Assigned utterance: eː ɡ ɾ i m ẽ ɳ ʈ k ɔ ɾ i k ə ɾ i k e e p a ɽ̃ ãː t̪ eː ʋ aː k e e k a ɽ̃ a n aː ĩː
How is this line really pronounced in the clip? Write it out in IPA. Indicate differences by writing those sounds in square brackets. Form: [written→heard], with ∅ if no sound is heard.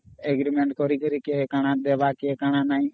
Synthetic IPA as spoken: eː ɡ ɾ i m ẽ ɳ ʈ k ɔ ɾ i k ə ɾ i k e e [p→k] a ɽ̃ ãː [t̪→d̪] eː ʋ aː k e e k a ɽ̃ a n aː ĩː